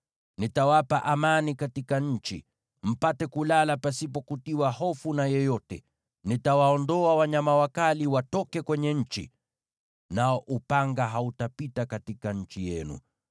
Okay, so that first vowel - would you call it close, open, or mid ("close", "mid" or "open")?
close